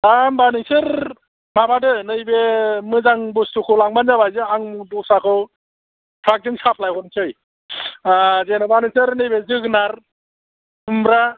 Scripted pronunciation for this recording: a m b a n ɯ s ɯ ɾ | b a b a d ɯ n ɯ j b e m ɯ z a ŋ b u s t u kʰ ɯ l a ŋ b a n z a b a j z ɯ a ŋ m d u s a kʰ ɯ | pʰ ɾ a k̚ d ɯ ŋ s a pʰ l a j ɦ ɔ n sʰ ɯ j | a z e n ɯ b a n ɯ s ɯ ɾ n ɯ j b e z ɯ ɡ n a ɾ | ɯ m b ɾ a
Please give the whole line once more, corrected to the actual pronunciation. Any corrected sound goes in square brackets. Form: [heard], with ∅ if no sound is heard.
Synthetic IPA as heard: a m b a n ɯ s ɯ ɾ | [m] a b a d ɯ n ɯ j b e m ɯ z a ŋ b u s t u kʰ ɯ l a ŋ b a n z a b a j z ɯ a ŋ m d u s a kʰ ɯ | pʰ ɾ a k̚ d ɯ ŋ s a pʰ l a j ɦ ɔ n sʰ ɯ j | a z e n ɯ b a n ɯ s ɯ ɾ n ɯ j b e z ɯ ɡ n a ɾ | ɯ m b ɾ a